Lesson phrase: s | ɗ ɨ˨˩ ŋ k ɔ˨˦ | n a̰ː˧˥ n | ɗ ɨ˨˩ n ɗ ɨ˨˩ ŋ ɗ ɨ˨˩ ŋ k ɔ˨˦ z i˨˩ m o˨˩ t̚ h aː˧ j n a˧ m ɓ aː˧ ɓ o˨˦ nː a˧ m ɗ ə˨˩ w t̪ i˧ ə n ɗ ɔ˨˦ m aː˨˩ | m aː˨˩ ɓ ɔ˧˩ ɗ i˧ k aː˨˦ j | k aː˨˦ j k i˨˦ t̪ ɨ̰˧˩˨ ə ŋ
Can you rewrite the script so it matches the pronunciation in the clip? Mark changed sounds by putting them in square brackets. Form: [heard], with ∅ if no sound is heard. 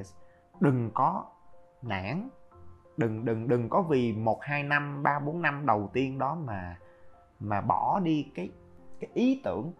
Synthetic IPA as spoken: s | ɗ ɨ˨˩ ŋ k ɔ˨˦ | n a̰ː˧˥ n | ɗ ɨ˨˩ [ŋ] ɗ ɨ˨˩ ŋ ɗ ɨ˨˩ ŋ k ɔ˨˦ [v] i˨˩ m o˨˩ t̚ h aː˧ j n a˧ m ɓ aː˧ ɓ o˨˦ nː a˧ m ɗ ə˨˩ w t̪ i˧ ə n ɗ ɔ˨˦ m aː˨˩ | m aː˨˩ ɓ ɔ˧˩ ɗ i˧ k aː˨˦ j | k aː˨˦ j [ʔ] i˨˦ t̪ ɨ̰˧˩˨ ə ŋ